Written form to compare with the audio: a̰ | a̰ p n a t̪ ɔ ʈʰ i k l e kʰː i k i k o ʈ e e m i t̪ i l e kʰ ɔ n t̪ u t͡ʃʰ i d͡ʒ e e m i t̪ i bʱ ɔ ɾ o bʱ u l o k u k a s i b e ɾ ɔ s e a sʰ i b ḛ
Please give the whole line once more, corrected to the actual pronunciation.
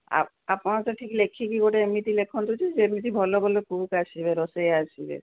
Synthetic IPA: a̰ | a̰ p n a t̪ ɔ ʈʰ i k l e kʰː i k i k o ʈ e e m i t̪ i l e kʰ ɔ n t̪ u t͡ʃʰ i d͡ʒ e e m i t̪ i bʱ ɔ l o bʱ ɔ l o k u k a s i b e ɾ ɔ s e a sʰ i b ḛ